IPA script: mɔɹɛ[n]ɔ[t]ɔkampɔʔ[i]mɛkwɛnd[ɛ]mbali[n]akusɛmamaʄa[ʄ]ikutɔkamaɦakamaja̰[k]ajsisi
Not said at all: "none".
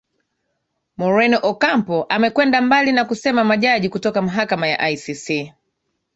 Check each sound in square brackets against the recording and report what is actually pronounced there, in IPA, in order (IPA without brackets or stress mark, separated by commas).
n, ʔ, a, a, n, ʄ, ʔ